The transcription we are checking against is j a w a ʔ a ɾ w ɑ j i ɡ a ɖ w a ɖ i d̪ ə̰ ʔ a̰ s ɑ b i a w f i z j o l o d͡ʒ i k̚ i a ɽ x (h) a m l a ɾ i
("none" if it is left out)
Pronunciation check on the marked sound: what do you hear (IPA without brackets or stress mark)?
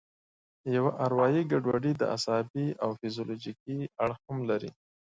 h